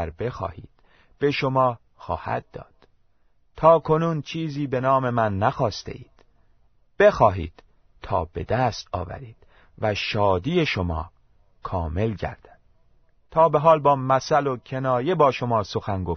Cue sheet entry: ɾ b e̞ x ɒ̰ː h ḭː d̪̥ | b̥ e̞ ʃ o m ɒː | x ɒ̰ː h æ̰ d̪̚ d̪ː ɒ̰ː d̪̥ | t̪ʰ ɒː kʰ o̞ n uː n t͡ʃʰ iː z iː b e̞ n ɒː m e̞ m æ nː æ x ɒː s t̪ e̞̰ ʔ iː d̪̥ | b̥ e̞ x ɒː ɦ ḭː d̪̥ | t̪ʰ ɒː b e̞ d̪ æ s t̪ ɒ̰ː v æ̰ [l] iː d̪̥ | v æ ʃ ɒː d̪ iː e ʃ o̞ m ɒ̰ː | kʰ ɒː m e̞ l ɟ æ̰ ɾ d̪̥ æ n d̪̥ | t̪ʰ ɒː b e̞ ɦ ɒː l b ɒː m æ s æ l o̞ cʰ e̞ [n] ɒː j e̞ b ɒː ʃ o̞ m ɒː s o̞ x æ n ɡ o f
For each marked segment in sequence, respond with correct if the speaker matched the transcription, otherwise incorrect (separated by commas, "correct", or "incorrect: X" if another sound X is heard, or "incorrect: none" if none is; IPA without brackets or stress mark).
incorrect: ɾ, correct